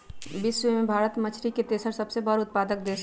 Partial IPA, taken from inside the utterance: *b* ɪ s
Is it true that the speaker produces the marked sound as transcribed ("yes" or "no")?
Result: yes